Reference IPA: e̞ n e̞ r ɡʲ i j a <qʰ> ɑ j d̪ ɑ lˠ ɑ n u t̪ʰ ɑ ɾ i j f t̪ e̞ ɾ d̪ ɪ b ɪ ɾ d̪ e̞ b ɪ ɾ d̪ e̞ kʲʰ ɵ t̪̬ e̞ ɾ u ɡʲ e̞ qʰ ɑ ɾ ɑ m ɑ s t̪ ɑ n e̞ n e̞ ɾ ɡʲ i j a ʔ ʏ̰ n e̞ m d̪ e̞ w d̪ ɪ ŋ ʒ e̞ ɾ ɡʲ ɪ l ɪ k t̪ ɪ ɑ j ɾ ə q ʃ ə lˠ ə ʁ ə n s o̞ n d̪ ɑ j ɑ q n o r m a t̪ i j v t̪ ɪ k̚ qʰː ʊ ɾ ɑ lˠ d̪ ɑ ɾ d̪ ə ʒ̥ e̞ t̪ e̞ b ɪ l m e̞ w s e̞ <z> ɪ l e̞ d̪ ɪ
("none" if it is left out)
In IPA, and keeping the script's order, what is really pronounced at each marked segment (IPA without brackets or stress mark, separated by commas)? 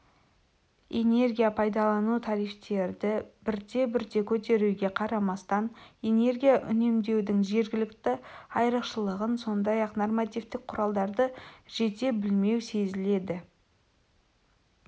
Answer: pʰ, z